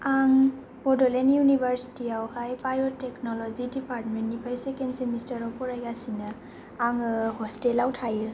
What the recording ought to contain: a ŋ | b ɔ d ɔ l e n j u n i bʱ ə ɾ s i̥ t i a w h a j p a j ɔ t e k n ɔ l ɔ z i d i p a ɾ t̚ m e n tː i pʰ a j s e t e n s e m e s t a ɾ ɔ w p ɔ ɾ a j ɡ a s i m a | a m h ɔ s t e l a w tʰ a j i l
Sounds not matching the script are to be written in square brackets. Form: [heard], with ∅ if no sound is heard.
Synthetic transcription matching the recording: a ŋ | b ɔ d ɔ l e n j u n i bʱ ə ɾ s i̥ t i a w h a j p a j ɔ t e k n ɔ l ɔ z i d i p a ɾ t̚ m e n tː i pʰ a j s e [k] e n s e m [i] s t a ɾ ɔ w p ɔ ɾ a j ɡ a s i [n] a | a [ŋ] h ɔ s t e l a w tʰ a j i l